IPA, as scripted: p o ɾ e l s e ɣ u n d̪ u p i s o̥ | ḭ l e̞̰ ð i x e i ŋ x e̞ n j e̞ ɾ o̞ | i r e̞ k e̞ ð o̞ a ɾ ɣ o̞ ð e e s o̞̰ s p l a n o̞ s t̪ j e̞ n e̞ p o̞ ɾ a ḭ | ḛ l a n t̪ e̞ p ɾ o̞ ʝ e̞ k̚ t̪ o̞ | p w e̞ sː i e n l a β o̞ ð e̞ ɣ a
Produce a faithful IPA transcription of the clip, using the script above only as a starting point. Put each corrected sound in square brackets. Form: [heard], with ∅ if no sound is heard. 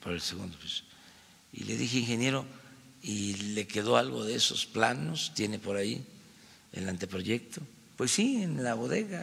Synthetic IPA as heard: p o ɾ e l s e ɣ u n d̪ [o] p i s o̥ | ḭ l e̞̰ ð i x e i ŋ x e̞ n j e̞ ɾ o̞ | i [l] e̞ k e̞ ð o̞ a [l] ɣ o̞ ð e e s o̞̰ s p l a n o̞ s t̪ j e̞ n e̞ p o̞ ɾ a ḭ | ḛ l a n t̪ e̞ p ɾ o̞ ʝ e̞ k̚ t̪ o̞ | p w e̞ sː i e n l a β o̞ ð e̞ ɣ a